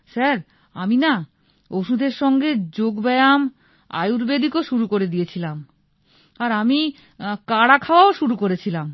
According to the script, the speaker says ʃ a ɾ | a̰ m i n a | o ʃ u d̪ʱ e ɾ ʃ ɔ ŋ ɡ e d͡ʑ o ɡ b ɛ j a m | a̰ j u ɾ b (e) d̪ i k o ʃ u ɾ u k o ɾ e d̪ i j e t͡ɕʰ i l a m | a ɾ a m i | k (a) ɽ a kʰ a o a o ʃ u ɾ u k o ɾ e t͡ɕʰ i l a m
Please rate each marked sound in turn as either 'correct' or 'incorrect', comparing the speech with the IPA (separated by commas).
correct, correct